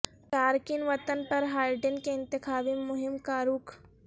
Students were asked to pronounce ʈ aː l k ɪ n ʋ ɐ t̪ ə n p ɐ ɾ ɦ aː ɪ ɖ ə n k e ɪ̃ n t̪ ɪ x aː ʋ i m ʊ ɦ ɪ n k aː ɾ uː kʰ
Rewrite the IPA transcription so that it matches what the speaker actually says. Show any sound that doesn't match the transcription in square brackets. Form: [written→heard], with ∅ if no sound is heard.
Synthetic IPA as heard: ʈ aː [l→ɾ] k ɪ n ʋ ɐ t̪ ə n p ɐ ɾ ɦ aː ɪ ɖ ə n k e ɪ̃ n t̪ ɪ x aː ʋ i m ʊ ɦ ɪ [n→m] k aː ɾ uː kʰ